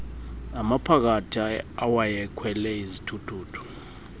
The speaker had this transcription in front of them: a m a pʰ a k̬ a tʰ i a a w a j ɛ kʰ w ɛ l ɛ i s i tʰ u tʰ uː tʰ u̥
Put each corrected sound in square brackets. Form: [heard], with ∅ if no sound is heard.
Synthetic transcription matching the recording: a m a pʰ a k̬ a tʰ i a a w a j ɛ kʰ w ɛ l ɛ i [z] i tʰ u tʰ uː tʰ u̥